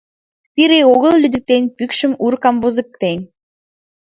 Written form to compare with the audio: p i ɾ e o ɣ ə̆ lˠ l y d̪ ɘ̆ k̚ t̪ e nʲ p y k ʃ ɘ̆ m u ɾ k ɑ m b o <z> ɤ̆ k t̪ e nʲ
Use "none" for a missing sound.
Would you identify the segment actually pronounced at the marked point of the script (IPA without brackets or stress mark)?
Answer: z